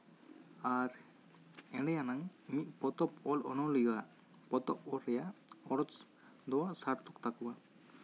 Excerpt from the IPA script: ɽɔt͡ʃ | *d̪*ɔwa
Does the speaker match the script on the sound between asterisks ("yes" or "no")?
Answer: yes